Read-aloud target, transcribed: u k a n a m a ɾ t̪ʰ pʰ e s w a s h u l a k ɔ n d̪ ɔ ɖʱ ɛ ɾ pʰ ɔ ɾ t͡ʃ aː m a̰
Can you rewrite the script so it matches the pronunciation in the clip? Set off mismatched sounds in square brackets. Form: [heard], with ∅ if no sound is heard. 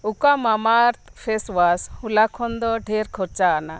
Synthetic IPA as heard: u k a [m] a m a ɾ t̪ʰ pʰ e s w a s h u l a [kʰ] ɔ n d̪ ɔ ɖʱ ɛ ɾ [kʰ] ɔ ɾ t͡ʃ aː [n] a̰